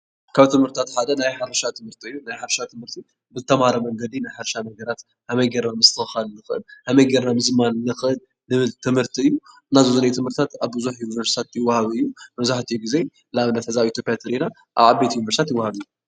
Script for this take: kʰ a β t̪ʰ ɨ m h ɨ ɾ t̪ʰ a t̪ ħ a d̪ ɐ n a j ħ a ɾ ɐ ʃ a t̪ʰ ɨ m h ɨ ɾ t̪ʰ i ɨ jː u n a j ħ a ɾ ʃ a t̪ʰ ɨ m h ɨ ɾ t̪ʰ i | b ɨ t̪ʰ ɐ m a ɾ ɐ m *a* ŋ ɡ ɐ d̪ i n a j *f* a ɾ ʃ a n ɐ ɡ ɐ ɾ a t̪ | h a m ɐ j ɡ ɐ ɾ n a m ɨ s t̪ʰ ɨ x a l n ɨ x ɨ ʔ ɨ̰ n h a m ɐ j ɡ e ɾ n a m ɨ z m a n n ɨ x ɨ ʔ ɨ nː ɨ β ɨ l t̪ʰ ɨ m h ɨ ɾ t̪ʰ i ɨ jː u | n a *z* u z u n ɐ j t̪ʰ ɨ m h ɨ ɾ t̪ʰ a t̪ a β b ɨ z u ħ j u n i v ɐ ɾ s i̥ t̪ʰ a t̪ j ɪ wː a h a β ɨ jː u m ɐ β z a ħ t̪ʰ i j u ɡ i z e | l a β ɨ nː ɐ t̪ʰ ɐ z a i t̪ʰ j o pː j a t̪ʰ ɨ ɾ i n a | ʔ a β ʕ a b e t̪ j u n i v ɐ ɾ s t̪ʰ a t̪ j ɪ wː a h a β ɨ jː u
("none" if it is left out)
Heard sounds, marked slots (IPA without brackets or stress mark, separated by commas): ɐ, ħ, z